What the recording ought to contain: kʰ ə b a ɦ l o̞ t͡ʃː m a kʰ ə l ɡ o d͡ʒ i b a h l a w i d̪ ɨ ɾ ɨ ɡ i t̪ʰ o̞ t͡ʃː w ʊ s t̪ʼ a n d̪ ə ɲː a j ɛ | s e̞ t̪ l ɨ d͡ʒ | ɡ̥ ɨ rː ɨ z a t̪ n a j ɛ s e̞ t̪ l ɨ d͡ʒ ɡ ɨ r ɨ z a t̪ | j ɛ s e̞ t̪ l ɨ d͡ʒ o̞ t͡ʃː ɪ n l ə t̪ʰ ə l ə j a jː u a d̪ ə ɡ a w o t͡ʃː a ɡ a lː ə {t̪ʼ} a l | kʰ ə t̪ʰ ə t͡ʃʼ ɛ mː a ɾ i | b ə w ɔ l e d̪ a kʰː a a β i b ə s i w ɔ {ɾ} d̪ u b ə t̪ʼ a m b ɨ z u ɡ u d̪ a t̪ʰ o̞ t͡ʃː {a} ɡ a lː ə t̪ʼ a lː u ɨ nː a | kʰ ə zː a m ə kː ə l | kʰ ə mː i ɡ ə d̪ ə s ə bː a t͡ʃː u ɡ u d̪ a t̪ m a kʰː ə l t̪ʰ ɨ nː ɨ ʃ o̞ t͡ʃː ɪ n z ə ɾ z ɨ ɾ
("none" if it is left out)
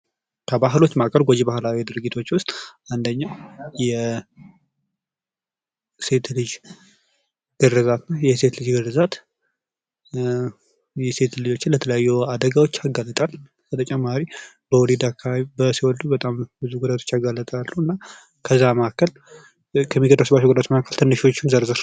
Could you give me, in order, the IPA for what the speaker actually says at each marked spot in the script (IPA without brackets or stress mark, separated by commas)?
t̪ʼ, l, a